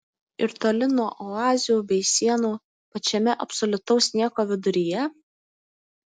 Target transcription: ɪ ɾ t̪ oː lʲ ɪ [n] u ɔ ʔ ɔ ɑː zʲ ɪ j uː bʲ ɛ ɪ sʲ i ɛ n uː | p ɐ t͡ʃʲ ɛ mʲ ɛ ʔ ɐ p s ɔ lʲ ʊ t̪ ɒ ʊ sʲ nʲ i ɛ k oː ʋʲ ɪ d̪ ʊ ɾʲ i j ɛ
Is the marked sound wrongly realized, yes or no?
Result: no